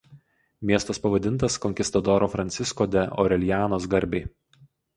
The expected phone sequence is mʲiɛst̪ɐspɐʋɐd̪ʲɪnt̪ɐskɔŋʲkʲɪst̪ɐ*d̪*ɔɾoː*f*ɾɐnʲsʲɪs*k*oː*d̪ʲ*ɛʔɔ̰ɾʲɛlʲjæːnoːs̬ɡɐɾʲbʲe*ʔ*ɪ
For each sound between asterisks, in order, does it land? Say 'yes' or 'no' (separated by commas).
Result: yes, yes, yes, yes, no